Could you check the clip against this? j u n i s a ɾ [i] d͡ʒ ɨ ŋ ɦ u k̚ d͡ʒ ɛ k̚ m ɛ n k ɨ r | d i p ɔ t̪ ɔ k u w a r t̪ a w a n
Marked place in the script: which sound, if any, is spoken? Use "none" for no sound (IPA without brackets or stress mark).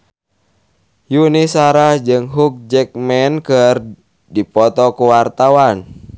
a